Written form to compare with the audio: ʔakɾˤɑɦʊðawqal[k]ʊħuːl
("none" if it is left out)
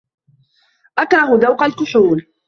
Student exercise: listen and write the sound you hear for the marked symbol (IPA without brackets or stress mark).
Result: k